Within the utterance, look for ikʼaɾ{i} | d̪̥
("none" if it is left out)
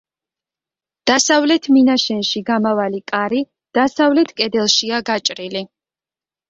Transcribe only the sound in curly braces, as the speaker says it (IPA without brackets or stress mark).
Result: i